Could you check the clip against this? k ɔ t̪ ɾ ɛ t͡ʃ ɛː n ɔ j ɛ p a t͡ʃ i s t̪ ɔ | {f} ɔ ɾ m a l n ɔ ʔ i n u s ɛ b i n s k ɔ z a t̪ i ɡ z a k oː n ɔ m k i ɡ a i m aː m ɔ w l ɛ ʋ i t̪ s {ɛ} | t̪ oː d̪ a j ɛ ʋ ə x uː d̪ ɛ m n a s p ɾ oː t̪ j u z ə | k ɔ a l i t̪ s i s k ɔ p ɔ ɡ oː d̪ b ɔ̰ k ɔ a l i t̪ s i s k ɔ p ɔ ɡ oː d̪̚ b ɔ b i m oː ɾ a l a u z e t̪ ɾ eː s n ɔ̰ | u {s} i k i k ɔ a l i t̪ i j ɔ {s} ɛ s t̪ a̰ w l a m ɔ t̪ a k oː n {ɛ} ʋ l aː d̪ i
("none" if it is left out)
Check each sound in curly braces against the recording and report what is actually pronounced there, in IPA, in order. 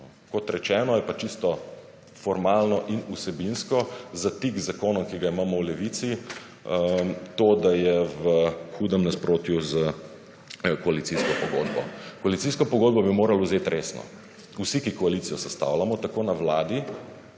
f, i, s, s, a

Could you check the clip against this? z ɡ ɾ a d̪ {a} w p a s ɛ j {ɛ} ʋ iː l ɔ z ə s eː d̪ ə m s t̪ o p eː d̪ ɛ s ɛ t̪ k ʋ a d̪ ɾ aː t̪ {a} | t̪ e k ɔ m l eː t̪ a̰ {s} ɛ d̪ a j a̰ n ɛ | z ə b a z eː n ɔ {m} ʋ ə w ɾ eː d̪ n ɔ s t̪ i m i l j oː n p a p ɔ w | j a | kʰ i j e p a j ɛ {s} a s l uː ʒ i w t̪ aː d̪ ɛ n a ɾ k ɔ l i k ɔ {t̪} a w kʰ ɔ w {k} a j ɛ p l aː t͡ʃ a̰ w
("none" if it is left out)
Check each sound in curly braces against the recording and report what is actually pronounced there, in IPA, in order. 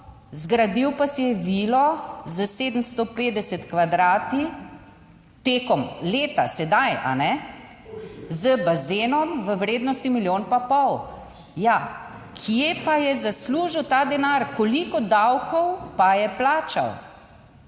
i, ɛ, i, s, m, z, d̪, p

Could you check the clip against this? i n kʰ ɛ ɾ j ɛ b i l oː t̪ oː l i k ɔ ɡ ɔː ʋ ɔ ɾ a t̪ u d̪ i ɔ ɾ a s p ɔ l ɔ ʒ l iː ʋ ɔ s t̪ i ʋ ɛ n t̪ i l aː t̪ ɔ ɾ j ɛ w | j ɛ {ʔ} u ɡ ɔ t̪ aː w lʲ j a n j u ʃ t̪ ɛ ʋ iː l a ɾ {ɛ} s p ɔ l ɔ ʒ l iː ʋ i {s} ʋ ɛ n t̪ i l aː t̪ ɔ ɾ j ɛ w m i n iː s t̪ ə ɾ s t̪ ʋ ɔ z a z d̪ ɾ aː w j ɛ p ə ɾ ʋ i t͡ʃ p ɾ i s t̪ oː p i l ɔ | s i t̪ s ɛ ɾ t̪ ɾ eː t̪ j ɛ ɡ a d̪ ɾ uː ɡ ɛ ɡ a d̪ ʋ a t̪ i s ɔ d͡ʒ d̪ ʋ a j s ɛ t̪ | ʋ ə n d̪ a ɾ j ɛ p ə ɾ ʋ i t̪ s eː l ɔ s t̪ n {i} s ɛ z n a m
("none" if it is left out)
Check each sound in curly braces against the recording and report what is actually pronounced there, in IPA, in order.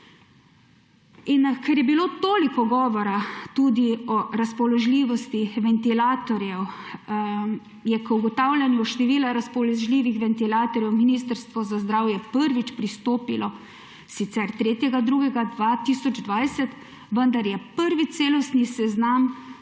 k, a, x, i

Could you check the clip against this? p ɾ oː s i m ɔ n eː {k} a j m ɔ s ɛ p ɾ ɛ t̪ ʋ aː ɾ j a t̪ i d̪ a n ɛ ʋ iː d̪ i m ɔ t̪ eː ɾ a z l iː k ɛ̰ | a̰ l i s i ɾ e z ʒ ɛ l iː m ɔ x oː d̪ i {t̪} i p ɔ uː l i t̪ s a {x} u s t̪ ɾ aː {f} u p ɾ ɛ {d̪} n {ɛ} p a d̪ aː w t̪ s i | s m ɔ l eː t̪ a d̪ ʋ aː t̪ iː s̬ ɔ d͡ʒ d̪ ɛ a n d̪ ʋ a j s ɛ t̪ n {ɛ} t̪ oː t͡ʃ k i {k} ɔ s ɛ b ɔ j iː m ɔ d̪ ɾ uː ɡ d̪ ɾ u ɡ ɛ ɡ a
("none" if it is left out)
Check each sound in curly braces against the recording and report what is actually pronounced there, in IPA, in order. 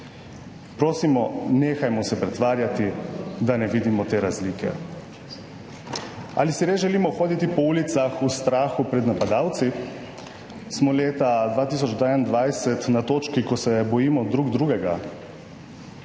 x, t̪, x, x, d̪, a, a, k

